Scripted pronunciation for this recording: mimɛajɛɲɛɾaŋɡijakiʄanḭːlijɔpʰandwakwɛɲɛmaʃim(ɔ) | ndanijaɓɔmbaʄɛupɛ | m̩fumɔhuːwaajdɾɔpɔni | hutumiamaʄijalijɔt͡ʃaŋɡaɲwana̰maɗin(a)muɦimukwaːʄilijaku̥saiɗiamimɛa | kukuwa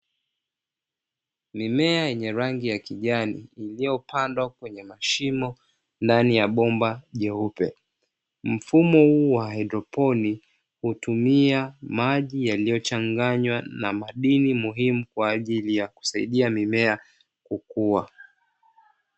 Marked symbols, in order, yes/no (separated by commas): yes, no